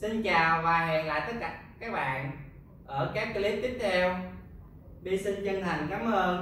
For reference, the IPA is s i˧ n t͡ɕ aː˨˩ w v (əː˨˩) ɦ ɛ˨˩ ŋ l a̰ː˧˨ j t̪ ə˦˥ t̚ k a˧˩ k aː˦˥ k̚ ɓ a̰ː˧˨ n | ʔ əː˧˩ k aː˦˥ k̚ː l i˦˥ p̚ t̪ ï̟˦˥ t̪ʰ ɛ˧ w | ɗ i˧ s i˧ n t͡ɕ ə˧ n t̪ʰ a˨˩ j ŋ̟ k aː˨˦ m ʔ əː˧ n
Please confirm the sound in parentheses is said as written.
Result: no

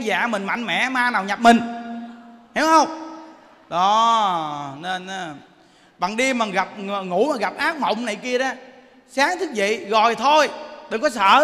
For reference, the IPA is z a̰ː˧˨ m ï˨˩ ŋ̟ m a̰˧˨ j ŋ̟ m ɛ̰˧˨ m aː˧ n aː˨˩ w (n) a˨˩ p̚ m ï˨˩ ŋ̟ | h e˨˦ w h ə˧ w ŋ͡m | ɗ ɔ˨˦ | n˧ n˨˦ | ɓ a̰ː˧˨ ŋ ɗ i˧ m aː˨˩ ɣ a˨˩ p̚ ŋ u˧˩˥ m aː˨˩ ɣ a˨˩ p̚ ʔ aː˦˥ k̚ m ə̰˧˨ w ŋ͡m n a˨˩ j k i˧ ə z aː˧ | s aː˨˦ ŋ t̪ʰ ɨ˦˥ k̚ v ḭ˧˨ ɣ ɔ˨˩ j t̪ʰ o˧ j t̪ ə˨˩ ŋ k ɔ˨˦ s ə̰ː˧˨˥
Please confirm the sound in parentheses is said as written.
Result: no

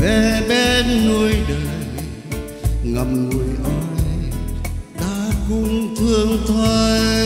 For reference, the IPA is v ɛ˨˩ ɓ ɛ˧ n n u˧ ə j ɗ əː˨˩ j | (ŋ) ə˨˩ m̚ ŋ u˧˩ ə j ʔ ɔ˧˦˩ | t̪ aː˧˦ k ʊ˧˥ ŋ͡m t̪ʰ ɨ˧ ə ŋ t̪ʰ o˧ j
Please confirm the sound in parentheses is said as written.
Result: yes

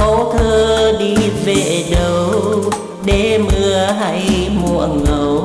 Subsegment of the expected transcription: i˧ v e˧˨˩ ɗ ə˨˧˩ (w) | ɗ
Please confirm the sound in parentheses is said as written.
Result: yes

